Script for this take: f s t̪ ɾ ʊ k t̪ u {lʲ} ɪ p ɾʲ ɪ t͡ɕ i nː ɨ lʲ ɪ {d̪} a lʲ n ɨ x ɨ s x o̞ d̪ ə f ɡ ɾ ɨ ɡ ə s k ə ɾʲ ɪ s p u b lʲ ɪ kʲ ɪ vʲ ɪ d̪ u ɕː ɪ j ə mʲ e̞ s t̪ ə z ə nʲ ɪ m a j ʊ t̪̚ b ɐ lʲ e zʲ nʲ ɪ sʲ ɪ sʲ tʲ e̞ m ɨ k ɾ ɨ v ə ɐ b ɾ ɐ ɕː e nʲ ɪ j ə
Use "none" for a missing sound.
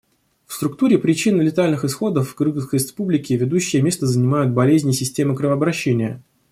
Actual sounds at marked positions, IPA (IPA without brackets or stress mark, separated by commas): ɾʲ, t̪